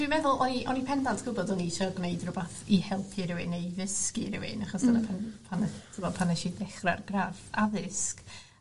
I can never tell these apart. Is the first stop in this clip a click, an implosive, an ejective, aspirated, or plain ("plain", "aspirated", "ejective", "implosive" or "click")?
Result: plain